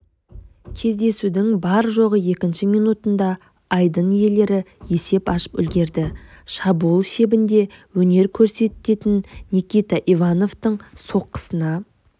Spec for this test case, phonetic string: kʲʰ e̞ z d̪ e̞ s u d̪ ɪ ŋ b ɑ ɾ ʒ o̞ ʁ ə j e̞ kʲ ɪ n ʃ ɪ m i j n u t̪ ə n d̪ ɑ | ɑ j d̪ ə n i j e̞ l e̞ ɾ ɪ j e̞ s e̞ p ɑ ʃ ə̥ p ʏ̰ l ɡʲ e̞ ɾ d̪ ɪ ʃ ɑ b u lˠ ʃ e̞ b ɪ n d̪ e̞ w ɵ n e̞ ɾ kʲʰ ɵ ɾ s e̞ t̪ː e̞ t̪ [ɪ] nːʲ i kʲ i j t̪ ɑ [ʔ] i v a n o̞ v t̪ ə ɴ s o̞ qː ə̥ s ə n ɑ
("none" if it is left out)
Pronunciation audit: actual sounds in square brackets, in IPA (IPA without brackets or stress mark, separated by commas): ɪ, ʔ